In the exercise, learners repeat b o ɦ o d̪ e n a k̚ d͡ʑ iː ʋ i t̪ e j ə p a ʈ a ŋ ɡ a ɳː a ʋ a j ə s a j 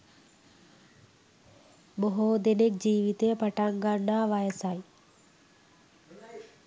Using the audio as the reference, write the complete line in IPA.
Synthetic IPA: b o ɦ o d̪ e n e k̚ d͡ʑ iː ʋ i t̪ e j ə p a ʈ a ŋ ɡ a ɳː a ʋ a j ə s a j